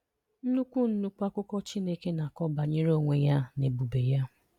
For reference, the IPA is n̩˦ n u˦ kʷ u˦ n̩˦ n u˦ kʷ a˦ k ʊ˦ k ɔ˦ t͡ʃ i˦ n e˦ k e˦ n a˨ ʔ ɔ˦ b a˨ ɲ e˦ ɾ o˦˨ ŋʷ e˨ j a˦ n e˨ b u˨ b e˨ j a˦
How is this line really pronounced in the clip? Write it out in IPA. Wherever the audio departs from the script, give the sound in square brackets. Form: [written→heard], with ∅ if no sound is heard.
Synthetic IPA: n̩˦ n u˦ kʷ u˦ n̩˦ n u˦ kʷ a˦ k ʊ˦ k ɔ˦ t͡ʃ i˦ n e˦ k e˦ n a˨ [ʔ→k] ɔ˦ b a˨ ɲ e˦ ɾ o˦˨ ŋʷ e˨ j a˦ n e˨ b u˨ b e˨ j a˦

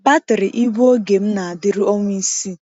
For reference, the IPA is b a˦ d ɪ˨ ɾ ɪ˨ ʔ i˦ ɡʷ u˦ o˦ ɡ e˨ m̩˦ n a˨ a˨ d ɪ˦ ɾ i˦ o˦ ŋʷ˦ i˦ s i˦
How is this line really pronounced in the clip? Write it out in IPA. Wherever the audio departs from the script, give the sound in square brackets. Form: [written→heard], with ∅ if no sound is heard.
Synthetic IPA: b a˦ [d→t] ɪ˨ ɾ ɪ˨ ʔ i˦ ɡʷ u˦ o˦ ɡ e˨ m̩˦ n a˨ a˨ d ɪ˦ ɾ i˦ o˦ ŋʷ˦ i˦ s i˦

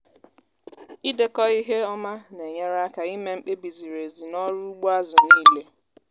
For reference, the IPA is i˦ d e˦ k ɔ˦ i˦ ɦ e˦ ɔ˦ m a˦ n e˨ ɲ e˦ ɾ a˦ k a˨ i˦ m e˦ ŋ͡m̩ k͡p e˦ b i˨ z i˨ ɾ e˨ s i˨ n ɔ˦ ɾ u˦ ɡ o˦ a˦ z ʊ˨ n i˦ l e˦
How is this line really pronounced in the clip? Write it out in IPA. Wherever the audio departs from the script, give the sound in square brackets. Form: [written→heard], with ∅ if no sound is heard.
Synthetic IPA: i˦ d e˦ k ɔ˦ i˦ ɦ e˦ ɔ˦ m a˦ n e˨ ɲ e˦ ɾ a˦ k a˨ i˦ m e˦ ŋ͡m̩ k͡p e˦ b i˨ z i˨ ɾ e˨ [s→z] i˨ n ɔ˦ ɾ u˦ [ɡ→ɡ͡b] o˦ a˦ z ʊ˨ n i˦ l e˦

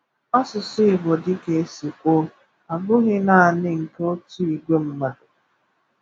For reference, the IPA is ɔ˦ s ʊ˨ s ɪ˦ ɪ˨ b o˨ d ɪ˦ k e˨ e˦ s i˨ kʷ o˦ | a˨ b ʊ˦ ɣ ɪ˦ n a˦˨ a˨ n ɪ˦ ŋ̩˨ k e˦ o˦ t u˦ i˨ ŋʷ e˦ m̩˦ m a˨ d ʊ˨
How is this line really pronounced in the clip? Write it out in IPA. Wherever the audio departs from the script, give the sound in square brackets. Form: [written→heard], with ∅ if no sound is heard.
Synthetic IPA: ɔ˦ s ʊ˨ s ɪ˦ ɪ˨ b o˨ d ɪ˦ k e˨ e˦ s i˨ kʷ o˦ | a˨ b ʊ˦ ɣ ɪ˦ n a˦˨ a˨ n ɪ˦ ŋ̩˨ k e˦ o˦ t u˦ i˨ [ŋʷ→ɡʷ] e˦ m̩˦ m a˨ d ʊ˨

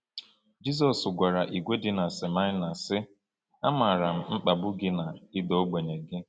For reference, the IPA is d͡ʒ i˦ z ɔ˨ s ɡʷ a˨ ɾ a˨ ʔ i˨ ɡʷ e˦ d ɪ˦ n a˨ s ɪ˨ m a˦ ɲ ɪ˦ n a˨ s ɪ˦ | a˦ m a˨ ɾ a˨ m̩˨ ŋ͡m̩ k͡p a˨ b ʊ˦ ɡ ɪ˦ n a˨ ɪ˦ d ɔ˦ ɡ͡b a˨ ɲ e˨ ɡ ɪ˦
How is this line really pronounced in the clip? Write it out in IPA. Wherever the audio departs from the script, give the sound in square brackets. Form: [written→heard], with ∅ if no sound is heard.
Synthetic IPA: d͡ʒ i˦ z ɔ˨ s ɡʷ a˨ ɾ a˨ ʔ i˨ ɡʷ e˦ d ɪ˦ n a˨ s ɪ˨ m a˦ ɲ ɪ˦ n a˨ s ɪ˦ | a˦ m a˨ ɾ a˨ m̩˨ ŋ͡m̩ k͡p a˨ b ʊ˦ ɡ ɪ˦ n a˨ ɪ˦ d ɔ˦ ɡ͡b [a˨→e˨] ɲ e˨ ɡ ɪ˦

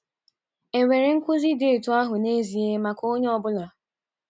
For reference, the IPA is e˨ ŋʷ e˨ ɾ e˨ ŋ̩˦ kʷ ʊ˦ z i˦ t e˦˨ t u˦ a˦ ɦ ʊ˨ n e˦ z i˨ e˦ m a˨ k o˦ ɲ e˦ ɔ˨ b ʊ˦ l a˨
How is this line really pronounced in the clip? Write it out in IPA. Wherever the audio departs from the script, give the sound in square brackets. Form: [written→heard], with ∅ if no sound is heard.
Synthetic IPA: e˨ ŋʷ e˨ ɾ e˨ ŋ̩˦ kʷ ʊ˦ z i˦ [t→d] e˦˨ t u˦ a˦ ɦ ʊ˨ n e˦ z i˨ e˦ m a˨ k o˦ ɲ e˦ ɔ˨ b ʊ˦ l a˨

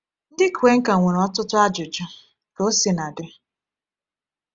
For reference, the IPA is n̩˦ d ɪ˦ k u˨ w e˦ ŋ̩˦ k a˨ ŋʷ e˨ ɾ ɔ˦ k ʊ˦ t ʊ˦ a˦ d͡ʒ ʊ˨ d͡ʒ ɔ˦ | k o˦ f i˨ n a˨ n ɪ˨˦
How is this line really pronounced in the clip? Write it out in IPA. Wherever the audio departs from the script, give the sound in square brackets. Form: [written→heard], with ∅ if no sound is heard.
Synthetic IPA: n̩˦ d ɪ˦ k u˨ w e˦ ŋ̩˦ k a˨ ŋʷ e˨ ɾ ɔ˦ [k→t] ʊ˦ t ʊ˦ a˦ d͡ʒ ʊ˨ d͡ʒ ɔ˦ | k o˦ [f→s] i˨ n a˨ [n→d] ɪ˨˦

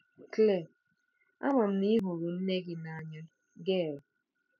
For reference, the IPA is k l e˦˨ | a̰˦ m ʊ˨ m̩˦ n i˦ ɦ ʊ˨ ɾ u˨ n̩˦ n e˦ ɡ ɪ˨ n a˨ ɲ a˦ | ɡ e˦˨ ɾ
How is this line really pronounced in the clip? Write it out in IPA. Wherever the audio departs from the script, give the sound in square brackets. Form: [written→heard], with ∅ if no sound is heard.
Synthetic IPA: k l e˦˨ | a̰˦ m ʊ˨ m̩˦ n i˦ ɦ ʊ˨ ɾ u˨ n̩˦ n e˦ ɡ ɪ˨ n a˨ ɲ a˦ | ɡ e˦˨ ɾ

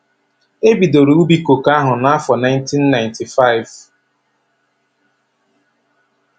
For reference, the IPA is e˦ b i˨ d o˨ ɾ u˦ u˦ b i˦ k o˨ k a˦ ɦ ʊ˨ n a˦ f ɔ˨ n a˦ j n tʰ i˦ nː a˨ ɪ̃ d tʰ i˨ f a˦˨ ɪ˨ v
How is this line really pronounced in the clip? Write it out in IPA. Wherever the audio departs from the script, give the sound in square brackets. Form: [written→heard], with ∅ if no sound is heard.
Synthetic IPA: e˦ b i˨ d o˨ ɾ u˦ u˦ b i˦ k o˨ k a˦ ɦ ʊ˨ n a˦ f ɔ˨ n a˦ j n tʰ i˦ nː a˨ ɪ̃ [d→n] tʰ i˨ f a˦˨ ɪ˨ v

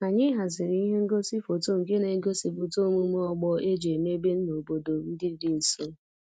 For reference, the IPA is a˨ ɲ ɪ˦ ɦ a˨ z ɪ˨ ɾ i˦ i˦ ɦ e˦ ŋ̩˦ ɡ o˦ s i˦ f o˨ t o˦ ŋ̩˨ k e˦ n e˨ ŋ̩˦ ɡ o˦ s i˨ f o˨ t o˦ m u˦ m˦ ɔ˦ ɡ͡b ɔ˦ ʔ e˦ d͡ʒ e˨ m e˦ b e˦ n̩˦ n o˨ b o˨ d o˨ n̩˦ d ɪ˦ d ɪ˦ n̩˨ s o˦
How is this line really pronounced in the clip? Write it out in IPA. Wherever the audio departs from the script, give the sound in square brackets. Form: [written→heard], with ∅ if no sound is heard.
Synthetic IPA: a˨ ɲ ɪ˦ ɦ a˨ z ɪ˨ ɾ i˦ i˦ ɦ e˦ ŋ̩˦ ɡ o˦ s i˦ f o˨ t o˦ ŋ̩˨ k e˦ n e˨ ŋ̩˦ ɡ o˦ s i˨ f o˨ t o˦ m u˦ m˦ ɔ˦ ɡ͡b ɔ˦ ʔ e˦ d͡ʒ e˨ m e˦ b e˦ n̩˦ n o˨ b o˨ d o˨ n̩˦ d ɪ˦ d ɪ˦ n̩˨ s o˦

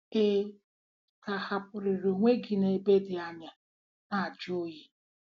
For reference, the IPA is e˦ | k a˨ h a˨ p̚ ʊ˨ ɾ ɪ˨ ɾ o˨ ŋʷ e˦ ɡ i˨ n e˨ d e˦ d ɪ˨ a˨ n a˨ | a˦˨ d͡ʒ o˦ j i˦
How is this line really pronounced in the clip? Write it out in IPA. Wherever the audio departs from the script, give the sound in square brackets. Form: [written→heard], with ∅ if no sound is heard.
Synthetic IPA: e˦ | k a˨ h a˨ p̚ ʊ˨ ɾ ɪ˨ ɾ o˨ ŋʷ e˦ ɡ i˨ n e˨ [d→b] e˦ d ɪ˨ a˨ [n→ɲ] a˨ | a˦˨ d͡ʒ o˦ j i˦

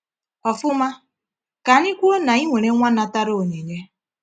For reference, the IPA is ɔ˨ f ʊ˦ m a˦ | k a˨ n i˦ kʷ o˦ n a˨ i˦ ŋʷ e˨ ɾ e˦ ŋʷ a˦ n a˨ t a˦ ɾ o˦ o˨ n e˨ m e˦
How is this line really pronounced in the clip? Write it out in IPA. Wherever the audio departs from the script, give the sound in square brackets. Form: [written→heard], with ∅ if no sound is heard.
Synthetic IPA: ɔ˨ f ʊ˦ m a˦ | k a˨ n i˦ kʷ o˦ n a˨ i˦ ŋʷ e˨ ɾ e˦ ŋʷ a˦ n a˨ t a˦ ɾ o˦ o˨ [n→ɲ] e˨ [m→ɲ] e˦

